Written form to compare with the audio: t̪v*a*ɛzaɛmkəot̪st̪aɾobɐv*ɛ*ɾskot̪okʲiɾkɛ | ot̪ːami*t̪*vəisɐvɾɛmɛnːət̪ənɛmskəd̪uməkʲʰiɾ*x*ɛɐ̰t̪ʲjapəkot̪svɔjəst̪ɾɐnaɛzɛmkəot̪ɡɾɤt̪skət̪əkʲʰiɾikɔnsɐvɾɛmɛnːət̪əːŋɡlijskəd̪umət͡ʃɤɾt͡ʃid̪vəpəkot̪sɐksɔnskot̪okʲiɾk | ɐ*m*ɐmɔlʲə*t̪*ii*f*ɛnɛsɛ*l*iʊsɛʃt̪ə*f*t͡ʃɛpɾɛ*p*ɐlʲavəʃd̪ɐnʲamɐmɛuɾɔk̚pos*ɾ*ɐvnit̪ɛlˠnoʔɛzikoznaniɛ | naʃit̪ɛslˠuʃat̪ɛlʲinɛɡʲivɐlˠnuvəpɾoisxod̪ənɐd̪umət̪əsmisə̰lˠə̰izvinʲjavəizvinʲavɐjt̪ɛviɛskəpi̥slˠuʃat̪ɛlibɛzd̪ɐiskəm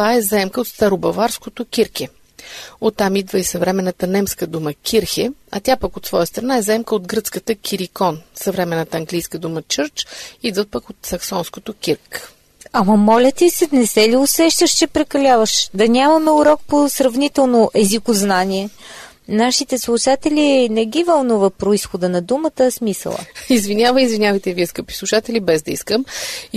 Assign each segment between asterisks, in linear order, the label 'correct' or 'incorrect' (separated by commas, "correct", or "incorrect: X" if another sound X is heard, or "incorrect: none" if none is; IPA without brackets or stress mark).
correct, incorrect: a, incorrect: d̪, correct, correct, correct, incorrect: s, correct, incorrect: ʃ, incorrect: k, correct